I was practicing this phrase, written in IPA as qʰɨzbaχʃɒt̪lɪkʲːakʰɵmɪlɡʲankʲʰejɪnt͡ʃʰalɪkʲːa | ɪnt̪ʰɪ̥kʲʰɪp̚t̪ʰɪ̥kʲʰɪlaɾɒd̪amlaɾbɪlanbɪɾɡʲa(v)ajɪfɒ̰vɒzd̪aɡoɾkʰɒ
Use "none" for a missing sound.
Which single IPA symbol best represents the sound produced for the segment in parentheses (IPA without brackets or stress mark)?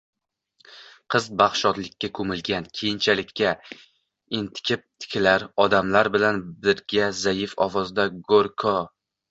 z